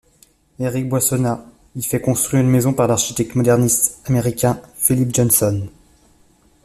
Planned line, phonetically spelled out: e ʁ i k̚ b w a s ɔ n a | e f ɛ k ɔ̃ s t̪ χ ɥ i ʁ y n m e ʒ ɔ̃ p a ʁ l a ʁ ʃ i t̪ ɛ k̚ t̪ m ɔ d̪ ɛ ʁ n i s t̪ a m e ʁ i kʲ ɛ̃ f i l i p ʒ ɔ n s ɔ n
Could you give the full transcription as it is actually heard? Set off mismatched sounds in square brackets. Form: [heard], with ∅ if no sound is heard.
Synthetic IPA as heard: e ʁ i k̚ b w a s ɔ n a | [i] f ɛ k ɔ̃ s t̪ χ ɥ i ʁ y n m e [z] ɔ̃ p a ʁ l a ʁ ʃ i t̪ ɛ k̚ t̪ m ɔ d̪ ɛ ʁ n i s t̪ a m e ʁ i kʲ ɛ̃ f i l i p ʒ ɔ n s ɔ n

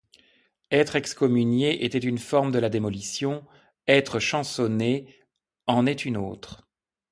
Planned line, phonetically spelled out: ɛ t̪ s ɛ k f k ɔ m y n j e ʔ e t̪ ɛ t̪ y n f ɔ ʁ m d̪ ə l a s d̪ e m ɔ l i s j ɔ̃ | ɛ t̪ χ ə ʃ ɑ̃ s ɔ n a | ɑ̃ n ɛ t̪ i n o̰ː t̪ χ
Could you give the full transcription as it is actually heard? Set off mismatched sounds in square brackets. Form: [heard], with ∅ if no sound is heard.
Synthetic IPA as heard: ɛ t̪ [χ] ɛ k [s] k ɔ m y n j e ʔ e t̪ ɛ t̪ y n f ɔ ʁ m d̪ ə l a [∅] d̪ e m ɔ l i s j ɔ̃ | ɛ t̪ χ ə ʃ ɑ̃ s ɔ n [e] | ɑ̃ n ɛ t̪ [y] n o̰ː t̪ χ

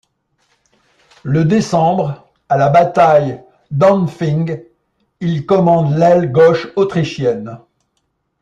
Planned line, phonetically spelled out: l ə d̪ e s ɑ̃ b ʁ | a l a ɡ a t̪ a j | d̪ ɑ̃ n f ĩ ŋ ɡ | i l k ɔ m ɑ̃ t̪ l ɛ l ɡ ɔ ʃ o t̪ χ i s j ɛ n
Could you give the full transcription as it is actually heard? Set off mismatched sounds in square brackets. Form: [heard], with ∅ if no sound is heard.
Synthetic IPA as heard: l ə d̪ e s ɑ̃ b ʁ | a l a [b] a t̪ a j | d̪ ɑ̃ n f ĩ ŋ ɡ | i l k ɔ m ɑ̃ [d̪] l ɛ l ɡ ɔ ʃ o t̪ χ i [ʃ] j ɛ n

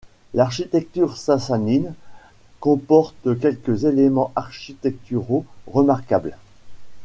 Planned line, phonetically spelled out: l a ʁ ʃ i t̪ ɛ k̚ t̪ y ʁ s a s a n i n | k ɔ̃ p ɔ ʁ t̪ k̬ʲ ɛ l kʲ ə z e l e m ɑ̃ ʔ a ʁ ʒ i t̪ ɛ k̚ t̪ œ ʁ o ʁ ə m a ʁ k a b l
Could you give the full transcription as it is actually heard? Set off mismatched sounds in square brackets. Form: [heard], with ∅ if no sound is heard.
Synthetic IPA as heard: l a ʁ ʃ i t̪ ɛ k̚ t̪ y ʁ s a s a n i n | k ɔ̃ p ɔ ʁ t̪ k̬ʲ ɛ l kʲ ə z e l e m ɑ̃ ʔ a ʁ [ʃ] i t̪ ɛ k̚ t̪ [y] ʁ o ʁ ə m a ʁ k a b l

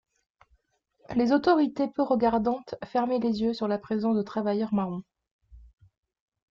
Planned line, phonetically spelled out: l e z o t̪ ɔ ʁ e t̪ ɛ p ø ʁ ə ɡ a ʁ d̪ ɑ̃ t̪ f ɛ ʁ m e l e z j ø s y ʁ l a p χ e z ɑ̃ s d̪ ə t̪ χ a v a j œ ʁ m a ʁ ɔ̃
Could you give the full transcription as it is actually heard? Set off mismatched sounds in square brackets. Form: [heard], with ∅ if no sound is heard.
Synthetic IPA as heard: l e z o t̪ ɔ ʁ [i] t̪ [e] p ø ʁ ə ɡ a ʁ d̪ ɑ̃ t̪ f ɛ ʁ m e l e z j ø s y ʁ l a p χ e z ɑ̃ s d̪ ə t̪ χ a v a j œ ʁ m a ʁ ɔ̃

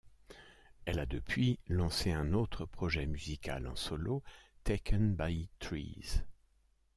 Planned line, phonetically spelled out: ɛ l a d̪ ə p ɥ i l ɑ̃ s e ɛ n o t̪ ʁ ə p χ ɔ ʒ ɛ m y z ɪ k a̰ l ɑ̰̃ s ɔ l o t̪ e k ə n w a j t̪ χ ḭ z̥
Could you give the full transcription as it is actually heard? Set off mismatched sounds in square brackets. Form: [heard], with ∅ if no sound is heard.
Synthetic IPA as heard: ɛ l a d̪ ə p ɥ i l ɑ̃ s e [ɛ̃] n o t̪ [χ] ə p χ ɔ ʒ ɛ m y z [i] k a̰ l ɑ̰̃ s ɔ l o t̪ e k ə n [b] a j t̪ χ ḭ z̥

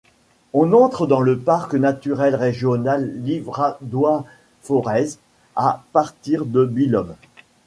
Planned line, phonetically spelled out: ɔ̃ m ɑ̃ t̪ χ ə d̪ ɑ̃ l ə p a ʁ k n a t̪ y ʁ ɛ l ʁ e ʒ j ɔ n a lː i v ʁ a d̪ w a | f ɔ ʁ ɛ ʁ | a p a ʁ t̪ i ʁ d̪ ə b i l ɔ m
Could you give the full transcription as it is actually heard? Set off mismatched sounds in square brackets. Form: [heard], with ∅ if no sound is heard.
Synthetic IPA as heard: ɔ̃ [n] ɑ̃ t̪ χ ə d̪ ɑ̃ l ə p a ʁ k n a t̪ y ʁ ɛ l ʁ e ʒ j ɔ n a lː i v ʁ a d̪ w a | f ɔ ʁ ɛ [z] | a p a ʁ t̪ i ʁ d̪ ə b i l ɔ m

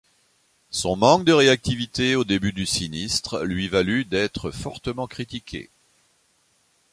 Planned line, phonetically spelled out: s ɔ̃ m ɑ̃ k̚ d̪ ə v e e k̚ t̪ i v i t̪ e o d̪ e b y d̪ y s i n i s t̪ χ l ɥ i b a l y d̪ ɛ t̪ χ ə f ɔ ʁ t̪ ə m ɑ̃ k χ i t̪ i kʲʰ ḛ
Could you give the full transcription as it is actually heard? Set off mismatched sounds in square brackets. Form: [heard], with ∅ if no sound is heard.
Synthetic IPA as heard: s ɔ̃ m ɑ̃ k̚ d̪ ə [ʁ] e [a] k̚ t̪ i v i t̪ e o d̪ e b y d̪ y s i n i s t̪ χ l ɥ i [v] a l y d̪ ɛ t̪ χ ə f ɔ ʁ t̪ ə m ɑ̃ k χ i t̪ i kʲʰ ḛ

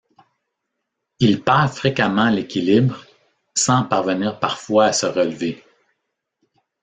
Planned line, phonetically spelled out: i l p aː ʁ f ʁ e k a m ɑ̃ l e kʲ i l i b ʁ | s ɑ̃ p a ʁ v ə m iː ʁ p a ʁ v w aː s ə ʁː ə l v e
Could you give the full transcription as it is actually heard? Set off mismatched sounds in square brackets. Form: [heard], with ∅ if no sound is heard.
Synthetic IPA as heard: i l p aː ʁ f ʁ e k a m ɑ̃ l e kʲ i l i b ʁ | s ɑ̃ p a ʁ v ə [n] iː ʁ p a ʁ [f] w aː s ə [ʁ] ə l v e

